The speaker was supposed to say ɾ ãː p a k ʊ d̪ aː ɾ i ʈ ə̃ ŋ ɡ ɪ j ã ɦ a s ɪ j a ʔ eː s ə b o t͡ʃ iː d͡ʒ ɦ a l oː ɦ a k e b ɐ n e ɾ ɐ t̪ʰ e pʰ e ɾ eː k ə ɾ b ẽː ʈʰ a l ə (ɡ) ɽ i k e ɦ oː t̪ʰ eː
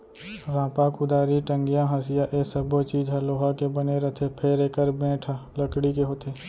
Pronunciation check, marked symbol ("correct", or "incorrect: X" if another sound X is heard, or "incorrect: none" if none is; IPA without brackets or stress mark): incorrect: k